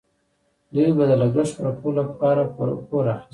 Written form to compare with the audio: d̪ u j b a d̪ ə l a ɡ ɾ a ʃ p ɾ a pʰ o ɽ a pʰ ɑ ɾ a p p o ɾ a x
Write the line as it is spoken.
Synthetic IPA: d̪ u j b a d̪ ə l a ɡ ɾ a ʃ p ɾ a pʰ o l a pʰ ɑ ɾ a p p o ɾ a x